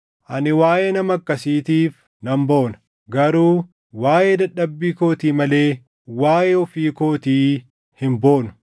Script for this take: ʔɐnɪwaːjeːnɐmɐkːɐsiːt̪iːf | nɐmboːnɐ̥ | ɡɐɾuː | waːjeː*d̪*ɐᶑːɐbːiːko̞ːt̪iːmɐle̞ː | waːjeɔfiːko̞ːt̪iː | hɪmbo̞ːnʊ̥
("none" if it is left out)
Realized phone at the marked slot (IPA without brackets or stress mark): d̪